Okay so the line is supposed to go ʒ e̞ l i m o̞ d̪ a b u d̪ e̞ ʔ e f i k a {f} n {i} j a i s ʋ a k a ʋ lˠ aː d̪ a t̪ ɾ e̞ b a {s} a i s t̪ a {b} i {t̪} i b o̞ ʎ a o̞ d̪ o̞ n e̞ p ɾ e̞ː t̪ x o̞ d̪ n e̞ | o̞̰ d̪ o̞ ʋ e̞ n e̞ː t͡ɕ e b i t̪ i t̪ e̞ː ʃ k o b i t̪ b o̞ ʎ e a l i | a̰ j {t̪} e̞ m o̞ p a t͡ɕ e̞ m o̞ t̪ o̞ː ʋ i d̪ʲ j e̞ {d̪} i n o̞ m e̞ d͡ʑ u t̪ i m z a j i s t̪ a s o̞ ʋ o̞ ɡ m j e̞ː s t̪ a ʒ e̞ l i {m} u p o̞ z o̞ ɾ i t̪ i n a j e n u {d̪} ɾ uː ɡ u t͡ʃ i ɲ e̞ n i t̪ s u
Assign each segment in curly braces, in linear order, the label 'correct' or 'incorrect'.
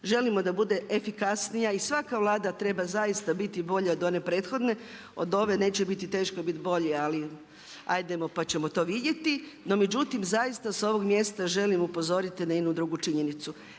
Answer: incorrect: s, correct, incorrect: z, correct, correct, incorrect: d̪, incorrect: t̪, correct, correct

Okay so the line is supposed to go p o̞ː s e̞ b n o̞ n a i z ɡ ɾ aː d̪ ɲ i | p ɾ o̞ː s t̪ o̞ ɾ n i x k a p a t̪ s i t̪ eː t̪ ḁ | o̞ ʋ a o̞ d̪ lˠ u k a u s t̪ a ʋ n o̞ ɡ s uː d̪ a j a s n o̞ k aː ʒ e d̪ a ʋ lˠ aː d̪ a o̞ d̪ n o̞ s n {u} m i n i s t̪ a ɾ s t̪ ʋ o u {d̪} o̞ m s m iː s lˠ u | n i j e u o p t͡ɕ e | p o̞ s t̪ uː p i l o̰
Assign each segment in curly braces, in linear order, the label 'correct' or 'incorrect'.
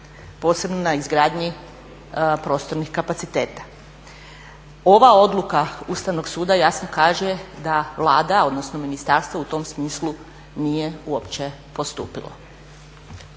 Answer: incorrect: o, incorrect: t̪

